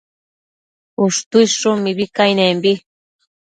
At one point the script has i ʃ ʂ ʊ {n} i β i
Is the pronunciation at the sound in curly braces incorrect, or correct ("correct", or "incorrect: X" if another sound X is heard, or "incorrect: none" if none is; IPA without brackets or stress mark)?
incorrect: m